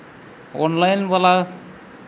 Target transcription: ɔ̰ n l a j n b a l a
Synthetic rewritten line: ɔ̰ n l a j n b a l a